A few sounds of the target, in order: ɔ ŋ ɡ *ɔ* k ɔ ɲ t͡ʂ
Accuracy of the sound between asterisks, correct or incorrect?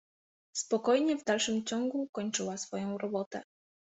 incorrect